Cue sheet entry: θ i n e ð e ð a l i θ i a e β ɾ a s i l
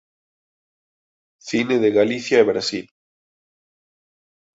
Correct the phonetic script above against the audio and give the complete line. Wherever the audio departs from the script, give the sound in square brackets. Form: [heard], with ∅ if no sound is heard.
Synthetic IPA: θ i n e ð e [ɣ] a l i θ [j] a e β ɾ a s i l